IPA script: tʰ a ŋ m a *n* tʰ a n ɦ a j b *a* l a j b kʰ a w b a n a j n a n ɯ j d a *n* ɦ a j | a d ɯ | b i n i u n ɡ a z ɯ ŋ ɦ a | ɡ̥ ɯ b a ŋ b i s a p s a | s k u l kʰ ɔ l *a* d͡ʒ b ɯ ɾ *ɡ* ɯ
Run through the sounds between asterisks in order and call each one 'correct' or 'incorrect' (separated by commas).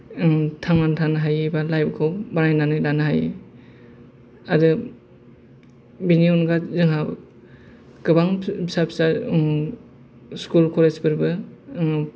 correct, correct, correct, incorrect, incorrect